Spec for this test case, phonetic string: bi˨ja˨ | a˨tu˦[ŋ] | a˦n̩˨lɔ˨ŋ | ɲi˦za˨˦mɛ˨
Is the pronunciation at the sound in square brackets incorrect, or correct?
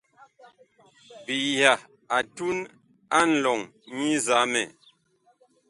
incorrect